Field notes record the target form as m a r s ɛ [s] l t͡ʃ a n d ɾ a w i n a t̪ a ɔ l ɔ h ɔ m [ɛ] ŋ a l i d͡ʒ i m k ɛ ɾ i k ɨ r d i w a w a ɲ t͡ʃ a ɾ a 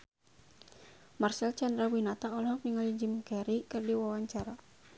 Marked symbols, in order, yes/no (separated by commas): no, no